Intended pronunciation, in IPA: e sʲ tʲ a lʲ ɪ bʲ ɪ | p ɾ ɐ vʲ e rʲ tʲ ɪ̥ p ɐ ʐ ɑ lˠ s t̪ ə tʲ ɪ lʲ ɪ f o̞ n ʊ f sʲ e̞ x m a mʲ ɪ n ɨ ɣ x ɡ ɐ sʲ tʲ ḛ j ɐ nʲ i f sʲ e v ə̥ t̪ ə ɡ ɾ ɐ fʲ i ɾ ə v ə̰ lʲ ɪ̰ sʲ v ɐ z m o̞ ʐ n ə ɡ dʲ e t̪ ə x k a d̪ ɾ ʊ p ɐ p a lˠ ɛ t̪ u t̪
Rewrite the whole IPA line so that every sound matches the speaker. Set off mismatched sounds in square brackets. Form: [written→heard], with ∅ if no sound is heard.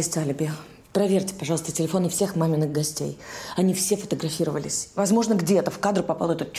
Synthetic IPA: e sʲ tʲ a lʲ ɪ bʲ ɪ | p ɾ ɐ vʲ e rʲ tʲ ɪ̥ p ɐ ʐ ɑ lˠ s t̪ ə tʲ ɪ lʲ ɪ f o̞ n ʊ f sʲ e̞ x m a mʲ ɪ n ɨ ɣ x ɡ ɐ sʲ tʲ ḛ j ɐ nʲ i f sʲ e [v→f] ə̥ t̪ ə ɡ ɾ ɐ fʲ i ɾ ə v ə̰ lʲ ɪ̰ sʲ v ɐ z m o̞ ʐ n ə ɡ dʲ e t̪ ə [x→f] k a d̪ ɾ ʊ p ɐ p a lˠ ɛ t̪ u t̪